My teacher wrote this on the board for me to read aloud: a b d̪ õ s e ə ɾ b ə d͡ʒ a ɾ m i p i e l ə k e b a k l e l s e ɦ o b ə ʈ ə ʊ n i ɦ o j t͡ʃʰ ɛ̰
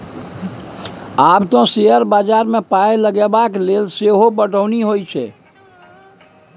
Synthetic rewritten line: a b t̪ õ s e ə ɾ b a d͡ʒ a ɾ m e p a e l ə ɡ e b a k l e l s e ɦ o b ə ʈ ə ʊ n i ɦ o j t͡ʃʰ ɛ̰